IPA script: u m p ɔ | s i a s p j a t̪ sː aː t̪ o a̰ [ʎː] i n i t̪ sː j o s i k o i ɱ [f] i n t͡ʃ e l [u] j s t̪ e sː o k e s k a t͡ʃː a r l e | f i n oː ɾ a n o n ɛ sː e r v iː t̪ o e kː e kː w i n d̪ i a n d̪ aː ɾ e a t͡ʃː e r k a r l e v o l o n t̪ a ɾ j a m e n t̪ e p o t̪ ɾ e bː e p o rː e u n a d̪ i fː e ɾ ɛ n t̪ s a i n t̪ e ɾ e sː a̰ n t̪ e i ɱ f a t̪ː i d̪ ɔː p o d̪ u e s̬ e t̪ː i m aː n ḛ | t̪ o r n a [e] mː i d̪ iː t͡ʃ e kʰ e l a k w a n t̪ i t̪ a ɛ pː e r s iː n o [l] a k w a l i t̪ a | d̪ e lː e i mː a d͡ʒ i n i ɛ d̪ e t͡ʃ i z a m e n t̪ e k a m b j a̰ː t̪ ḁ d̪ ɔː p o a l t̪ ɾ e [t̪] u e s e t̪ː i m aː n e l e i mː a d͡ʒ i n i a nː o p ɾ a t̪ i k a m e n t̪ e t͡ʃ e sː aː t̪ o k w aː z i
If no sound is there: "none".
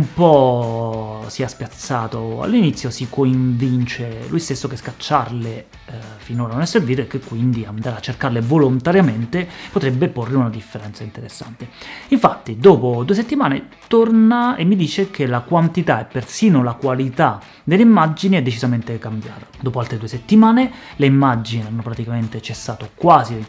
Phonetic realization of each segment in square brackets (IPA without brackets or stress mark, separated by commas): lː, v, u, e, l, d̪